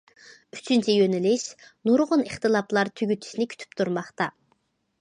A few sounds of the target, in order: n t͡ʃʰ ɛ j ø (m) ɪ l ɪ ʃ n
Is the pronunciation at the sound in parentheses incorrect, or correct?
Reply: incorrect